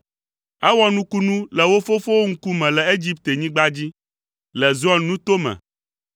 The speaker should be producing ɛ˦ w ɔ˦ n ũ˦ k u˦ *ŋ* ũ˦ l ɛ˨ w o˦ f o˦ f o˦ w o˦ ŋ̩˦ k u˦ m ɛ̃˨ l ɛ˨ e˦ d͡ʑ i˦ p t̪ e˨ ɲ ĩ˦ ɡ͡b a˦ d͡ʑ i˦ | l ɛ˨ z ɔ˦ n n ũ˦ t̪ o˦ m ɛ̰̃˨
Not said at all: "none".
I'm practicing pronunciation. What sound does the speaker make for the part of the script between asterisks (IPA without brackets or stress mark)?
n